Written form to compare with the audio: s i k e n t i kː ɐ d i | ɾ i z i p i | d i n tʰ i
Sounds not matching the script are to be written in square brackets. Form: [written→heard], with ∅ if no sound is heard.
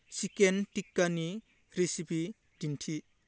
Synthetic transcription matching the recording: s i k e n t i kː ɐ [d→n] i | ɾ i [z→s] i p i | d i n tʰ i